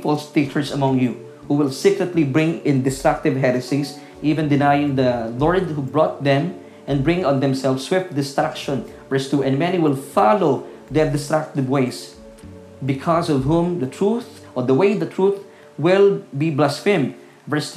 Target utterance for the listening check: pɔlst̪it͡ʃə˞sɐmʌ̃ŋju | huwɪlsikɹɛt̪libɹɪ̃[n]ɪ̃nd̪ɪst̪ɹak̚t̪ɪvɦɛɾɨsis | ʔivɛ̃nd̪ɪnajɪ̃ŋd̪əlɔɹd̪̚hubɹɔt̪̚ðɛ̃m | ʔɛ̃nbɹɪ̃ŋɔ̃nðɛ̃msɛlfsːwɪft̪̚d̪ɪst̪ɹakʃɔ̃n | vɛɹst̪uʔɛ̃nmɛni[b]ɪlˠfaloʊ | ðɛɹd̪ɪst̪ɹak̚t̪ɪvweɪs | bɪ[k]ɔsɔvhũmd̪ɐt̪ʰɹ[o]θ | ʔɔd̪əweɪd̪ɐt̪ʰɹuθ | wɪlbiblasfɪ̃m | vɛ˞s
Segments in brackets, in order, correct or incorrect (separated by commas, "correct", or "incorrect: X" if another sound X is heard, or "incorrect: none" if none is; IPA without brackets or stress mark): incorrect: ŋ, incorrect: w, incorrect: kʰ, incorrect: u